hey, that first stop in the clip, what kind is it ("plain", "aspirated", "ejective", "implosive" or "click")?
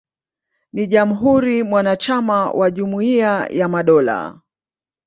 implosive